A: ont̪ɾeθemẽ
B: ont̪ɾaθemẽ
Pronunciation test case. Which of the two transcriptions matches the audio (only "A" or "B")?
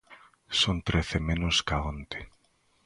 A